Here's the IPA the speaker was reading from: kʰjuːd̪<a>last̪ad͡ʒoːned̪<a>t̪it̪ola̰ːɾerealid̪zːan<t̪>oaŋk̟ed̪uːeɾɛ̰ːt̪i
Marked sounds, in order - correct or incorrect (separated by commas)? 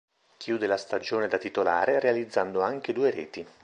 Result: incorrect, correct, incorrect